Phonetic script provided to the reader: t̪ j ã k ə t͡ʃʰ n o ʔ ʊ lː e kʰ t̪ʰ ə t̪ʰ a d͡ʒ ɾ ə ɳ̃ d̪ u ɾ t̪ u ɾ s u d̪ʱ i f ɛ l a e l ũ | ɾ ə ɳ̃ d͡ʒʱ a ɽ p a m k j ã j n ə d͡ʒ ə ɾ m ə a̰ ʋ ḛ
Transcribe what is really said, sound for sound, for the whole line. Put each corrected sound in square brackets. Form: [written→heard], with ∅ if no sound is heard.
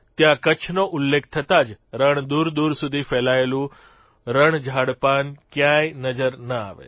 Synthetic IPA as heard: t̪ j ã k ə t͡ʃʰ n o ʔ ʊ lː e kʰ t̪ʰ ə [t̪ʰ→t̪] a d͡ʒ ɾ ə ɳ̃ d̪ u ɾ [t̪→d̪] u ɾ s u d̪ʱ i f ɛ l a e l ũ | ɾ ə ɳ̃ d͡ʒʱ a ɽ p a [m→n] k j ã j n ə d͡ʒ ə ɾ [m→n] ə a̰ ʋ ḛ